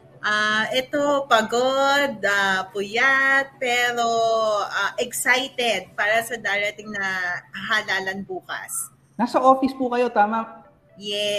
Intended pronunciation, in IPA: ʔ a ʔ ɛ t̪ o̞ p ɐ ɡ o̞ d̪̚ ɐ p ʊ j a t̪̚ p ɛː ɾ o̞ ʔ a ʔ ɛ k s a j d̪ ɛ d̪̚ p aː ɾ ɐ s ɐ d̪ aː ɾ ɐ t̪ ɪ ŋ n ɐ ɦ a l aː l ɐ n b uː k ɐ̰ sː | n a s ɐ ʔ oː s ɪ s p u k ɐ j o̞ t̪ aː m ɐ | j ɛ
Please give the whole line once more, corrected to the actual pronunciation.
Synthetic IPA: ʔ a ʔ ɛ t̪ o̞ p ɐ ɡ o̞ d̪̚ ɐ p ʊ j a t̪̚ p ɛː ɾ o̞ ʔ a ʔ ɛ k s a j t̪ ɛ d̪̚ p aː ɾ ɐ s ɐ d̪ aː ɾ ɐ t̪ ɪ ŋ n ɐ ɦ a l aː l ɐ n b uː k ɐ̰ s | n a s ɐ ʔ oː f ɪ s p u k ɐ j o̞ t̪ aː m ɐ | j ɛ